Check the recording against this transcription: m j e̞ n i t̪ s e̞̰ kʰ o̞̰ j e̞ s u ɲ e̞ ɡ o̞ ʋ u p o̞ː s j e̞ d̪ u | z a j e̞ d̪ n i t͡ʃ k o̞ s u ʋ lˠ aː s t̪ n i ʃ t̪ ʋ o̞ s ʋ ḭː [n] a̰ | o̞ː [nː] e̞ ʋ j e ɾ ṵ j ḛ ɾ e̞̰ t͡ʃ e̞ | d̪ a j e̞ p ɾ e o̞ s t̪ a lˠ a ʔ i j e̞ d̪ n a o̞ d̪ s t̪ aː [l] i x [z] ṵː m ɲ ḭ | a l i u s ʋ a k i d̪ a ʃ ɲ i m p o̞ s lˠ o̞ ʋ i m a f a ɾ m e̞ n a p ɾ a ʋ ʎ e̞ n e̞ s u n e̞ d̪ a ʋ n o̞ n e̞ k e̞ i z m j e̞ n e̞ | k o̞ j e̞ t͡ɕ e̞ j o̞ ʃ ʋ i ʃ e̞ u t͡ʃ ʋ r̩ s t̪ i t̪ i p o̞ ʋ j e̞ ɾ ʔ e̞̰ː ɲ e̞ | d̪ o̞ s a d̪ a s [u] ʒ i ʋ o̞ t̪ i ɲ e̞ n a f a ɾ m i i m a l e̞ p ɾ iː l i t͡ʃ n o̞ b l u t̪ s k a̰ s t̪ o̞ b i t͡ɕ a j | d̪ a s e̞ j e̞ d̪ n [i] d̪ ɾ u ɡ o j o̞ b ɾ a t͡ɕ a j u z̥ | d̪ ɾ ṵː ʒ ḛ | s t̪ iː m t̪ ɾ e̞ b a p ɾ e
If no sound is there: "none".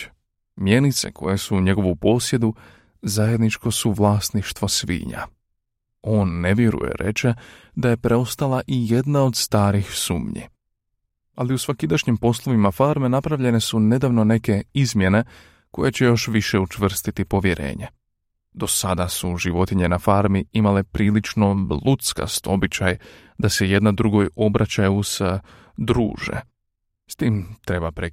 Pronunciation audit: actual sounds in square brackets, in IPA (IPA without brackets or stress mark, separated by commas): ɲ, nː, ɾ, s, u, a